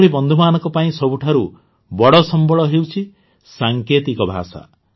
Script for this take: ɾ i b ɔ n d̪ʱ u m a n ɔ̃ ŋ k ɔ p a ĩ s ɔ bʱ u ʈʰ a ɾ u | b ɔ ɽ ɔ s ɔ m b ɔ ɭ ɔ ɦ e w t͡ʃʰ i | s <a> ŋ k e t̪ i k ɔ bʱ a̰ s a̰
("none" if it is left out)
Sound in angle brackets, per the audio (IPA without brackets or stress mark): a